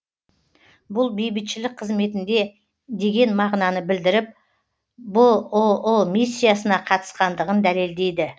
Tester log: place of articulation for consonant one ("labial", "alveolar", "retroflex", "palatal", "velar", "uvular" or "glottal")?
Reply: labial